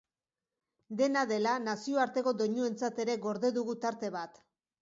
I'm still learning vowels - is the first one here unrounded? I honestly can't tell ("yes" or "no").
yes